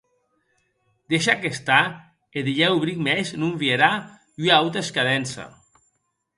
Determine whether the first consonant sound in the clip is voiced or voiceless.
voiced